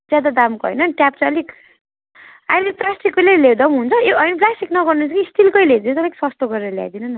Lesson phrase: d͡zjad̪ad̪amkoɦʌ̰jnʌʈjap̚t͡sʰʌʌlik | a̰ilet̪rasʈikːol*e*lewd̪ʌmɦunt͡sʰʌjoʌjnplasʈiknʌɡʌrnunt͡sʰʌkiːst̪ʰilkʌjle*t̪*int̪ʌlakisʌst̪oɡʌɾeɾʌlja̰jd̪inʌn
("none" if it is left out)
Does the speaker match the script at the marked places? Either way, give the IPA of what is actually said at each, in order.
e, d̪

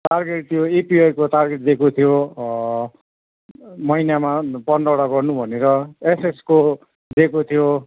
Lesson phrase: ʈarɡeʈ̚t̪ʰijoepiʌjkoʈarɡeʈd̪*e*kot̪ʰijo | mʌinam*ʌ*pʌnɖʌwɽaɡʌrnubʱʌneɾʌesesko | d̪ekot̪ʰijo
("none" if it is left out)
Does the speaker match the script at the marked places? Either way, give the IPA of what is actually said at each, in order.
e, a

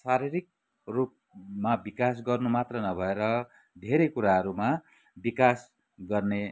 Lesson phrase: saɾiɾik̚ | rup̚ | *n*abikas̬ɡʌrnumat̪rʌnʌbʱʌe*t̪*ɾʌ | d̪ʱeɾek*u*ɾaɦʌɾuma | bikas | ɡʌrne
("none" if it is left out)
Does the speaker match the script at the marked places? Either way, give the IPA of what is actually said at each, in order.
m, none, u

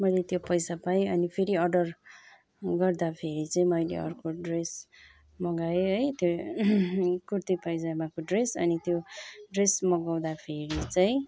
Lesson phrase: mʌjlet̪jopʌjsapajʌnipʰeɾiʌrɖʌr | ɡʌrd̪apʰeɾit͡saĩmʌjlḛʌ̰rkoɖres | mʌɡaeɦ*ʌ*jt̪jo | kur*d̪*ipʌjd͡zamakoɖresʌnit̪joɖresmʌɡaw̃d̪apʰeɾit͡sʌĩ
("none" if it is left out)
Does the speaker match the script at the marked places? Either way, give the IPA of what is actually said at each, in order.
ʌ, t̪

